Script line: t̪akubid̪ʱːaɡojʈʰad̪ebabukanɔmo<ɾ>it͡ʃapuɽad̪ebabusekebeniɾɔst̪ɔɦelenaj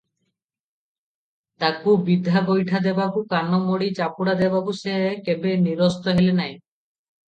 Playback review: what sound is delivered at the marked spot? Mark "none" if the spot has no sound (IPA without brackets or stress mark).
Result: ɽ